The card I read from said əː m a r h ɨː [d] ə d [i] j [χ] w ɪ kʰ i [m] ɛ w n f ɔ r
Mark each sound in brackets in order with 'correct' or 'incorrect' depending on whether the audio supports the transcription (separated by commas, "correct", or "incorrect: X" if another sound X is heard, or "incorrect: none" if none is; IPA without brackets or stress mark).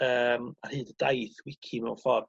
correct, incorrect: a, incorrect: θ, correct